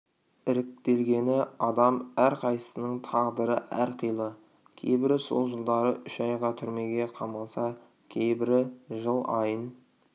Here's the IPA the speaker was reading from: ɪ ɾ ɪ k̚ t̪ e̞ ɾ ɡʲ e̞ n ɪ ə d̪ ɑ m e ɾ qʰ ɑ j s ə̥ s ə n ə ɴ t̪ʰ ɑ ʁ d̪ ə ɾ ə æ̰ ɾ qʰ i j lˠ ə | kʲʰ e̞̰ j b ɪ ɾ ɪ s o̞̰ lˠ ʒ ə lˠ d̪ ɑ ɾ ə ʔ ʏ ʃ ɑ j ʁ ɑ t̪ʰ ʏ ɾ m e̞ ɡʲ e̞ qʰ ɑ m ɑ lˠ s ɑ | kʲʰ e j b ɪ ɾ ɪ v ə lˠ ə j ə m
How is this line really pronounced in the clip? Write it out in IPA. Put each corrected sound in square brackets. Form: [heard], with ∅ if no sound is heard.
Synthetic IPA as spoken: ɪ ɾ ɪ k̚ t̪ e̞ [l] ɡʲ e̞ n ɪ [ɑ] d̪ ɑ m [æ] ɾ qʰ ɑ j s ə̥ s ə n ə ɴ t̪ʰ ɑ ʁ d̪ ə ɾ ə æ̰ ɾ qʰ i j lˠ ə | kʲʰ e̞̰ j b ɪ ɾ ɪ s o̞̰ lˠ ʒ ə lˠ d̪ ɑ ɾ ə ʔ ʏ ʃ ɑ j ʁ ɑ t̪ʰ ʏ ɾ m e̞ ɡʲ e̞ qʰ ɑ m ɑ lˠ s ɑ | kʲʰ e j b ɪ ɾ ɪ [ʒ] ə lˠ [ɑ] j ə [n]